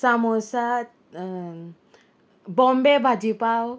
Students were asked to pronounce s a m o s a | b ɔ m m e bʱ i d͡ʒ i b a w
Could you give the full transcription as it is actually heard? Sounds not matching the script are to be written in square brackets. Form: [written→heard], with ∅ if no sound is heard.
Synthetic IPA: s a m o s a | b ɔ m [m→b] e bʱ [i→a] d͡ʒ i [b→p] a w